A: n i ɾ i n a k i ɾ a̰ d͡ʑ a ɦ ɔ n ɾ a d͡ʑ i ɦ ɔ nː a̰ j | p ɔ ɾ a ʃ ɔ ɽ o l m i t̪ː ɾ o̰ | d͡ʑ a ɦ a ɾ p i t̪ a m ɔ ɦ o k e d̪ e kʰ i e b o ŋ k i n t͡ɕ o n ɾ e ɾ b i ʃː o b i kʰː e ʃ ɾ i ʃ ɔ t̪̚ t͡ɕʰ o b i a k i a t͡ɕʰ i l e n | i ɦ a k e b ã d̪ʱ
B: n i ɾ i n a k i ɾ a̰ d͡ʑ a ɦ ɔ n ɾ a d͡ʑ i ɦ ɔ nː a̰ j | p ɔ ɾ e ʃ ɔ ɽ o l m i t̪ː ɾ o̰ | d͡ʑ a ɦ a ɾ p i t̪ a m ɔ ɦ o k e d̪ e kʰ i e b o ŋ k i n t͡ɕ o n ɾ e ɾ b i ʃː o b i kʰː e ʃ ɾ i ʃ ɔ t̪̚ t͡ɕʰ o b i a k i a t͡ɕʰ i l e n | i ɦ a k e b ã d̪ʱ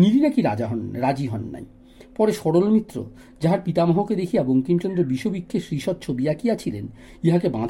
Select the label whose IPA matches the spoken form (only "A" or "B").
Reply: B